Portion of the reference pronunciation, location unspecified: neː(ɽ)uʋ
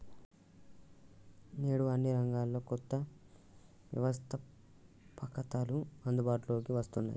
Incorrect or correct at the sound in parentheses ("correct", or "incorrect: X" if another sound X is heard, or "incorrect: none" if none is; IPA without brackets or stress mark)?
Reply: correct